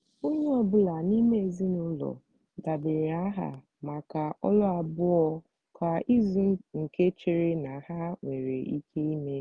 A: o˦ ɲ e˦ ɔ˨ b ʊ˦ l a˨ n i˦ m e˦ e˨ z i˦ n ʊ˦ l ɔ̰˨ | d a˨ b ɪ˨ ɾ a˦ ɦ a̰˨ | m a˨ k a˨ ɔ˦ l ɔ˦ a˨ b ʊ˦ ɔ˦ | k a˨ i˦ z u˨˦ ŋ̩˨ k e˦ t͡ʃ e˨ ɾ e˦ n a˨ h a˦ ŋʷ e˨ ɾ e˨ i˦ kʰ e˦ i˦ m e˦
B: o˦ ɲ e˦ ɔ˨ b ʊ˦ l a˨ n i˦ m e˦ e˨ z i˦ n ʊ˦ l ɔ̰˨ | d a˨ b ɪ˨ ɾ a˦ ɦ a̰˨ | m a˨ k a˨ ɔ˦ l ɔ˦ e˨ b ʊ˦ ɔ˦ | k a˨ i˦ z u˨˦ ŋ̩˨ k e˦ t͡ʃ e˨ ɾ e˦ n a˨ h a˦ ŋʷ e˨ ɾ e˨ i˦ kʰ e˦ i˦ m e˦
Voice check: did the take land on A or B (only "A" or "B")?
A